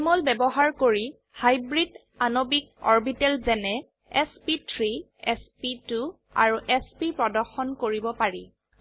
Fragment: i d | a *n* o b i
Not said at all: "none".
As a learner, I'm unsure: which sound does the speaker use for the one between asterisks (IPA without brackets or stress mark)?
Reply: n